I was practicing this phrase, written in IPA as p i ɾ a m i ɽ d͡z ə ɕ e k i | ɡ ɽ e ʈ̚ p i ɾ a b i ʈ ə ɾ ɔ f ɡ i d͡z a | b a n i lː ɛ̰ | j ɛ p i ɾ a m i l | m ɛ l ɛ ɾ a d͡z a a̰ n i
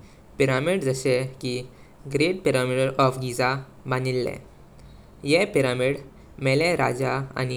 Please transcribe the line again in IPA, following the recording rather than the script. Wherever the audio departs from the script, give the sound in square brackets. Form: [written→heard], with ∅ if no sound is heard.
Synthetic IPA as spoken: p i ɾ a m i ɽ d͡z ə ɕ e k i | ɡ [ɽ→ɾ] e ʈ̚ p i ɾ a [b→m] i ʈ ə ɾ ɔ f ɡ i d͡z a | b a n i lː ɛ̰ | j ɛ p i ɾ a m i [l→ɽ] | m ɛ l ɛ ɾ a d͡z a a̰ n i